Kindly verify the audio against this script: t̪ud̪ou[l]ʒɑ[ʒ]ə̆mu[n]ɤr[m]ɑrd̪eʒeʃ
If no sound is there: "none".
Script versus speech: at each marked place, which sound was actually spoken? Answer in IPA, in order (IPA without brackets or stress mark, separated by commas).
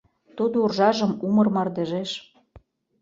r, ʒ, m, m